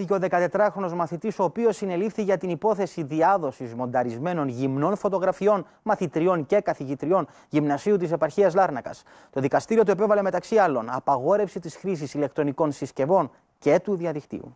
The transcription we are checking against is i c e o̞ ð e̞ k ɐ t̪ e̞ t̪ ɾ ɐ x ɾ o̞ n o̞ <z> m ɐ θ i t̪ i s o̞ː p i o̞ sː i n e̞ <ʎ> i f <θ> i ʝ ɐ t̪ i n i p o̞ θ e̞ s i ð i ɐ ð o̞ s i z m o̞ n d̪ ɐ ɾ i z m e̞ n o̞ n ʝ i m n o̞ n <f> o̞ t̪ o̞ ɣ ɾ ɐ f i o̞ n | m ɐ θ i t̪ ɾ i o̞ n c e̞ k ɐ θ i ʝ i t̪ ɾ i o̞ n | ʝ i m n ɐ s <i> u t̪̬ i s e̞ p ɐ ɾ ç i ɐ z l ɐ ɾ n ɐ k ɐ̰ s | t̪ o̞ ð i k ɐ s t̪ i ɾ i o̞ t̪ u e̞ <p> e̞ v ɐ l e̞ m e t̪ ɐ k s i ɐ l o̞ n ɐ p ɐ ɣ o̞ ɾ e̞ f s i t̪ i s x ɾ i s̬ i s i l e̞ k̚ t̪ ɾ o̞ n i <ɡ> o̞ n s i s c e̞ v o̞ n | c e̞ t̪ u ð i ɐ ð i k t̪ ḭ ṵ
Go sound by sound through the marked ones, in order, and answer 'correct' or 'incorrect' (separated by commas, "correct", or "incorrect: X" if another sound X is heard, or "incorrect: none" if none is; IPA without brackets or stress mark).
correct, incorrect: l, correct, correct, correct, correct, incorrect: k